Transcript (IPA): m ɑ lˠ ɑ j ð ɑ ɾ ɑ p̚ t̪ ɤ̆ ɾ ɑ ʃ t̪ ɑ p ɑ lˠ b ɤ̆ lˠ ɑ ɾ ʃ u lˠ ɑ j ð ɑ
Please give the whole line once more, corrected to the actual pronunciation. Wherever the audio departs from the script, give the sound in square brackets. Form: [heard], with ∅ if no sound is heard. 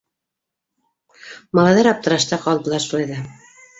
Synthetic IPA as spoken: m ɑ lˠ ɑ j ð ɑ ɾ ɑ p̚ t̪ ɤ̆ ɾ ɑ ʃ t̪ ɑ [q] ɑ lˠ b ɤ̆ lˠ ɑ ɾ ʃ u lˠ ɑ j ð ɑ